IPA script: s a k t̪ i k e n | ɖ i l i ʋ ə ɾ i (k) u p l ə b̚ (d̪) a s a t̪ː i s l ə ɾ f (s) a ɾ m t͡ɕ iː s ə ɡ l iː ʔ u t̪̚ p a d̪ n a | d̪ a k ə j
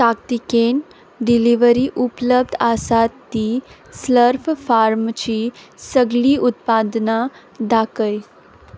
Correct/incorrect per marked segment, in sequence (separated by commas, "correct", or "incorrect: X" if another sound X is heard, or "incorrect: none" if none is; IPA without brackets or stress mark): incorrect: ʔ, correct, incorrect: f